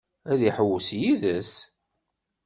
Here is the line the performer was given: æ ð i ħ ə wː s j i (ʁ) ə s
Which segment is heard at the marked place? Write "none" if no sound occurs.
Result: ð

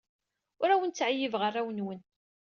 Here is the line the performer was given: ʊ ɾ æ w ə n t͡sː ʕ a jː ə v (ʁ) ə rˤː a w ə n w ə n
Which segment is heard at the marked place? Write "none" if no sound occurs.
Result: ʁ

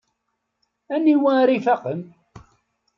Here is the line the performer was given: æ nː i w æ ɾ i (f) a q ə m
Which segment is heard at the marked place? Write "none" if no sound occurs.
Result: f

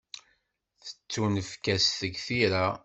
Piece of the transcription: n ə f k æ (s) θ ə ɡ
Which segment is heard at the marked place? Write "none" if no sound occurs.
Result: s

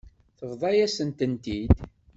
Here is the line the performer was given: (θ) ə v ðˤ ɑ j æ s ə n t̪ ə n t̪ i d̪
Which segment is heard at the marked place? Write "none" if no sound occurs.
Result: θ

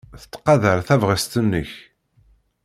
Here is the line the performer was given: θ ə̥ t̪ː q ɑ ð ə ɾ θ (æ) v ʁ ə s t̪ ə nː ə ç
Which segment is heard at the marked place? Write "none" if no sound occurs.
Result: æ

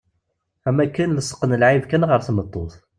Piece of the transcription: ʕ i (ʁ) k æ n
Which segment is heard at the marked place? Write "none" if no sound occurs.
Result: v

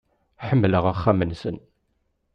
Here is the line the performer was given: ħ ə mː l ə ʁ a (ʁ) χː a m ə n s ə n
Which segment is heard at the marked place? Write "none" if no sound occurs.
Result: none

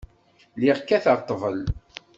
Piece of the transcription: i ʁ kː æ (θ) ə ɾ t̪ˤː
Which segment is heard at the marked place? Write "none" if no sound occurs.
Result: θ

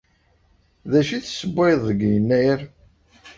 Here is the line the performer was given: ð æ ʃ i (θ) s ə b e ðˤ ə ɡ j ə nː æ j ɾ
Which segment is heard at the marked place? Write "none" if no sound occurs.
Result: θ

